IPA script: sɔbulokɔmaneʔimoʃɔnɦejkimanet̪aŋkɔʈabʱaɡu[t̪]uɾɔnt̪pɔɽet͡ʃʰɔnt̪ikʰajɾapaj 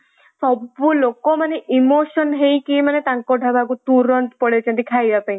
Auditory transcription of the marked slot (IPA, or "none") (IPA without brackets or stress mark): t̪